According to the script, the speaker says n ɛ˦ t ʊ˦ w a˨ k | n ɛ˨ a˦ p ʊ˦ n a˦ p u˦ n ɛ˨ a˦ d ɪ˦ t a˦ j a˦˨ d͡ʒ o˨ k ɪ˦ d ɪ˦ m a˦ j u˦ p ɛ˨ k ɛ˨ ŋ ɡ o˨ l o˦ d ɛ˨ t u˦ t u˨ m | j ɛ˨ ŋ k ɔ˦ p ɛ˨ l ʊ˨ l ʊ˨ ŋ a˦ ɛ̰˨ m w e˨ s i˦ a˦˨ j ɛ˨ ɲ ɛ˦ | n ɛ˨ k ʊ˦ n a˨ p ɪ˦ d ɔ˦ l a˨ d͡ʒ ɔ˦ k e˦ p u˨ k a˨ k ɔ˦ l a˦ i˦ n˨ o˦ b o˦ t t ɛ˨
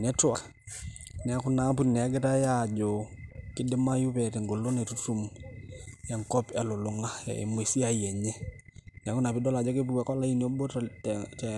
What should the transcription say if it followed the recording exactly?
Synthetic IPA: n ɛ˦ t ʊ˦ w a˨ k | n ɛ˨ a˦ k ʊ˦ n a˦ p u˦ n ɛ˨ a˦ ɡ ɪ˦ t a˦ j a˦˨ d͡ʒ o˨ k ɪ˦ d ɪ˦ m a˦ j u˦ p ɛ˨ t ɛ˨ ŋ ɡ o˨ l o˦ n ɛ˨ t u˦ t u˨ m | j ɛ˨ ŋ k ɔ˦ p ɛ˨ l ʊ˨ l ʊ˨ ŋ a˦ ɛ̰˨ m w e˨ s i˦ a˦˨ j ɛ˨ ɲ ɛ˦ | n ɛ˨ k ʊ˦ n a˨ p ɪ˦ d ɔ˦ l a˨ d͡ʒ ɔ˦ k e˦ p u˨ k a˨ k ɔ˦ l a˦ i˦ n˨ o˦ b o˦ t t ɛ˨